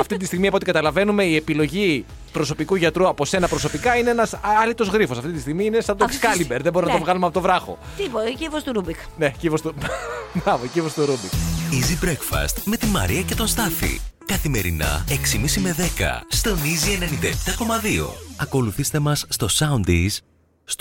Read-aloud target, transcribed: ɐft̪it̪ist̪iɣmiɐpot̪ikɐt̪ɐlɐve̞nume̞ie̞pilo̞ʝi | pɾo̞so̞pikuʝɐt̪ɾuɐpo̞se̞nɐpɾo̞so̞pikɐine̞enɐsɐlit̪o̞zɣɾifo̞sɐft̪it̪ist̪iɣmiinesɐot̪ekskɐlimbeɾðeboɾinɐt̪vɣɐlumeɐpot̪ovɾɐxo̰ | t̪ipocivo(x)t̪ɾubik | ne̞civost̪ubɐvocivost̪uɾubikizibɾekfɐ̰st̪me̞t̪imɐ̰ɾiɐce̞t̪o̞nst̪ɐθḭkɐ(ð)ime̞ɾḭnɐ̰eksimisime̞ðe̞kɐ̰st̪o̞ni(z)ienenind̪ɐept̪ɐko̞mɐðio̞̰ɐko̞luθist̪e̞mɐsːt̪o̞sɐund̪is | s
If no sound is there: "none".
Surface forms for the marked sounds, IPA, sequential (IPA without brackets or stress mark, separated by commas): s, θ, z